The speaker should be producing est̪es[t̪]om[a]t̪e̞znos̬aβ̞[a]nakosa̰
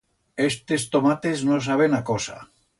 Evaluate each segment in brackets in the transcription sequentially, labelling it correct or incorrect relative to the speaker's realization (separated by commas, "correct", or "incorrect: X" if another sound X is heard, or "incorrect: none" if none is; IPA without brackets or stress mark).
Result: correct, correct, incorrect: e